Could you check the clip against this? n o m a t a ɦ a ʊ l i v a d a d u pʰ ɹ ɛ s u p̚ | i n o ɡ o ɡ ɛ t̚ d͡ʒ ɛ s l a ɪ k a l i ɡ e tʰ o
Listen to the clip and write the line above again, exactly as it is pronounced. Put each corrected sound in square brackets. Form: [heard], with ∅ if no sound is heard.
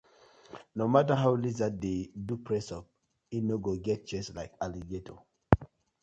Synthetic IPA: n o m a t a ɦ a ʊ l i [z] a d [e] d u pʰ ɹ ɛ s [ɔ] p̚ | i n o ɡ o ɡ ɛ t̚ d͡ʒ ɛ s l a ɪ k a l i ɡ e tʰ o